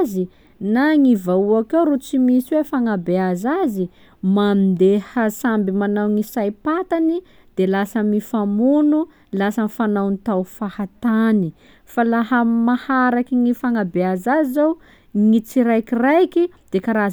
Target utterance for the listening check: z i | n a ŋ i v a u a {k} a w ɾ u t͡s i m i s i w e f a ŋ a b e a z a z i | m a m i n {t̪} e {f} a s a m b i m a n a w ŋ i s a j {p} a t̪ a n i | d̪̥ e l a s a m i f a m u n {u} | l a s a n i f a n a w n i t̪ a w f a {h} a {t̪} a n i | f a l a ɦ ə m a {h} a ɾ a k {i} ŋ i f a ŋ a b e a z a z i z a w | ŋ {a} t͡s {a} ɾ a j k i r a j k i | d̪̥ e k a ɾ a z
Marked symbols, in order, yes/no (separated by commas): yes, no, no, yes, yes, yes, yes, yes, yes, no, no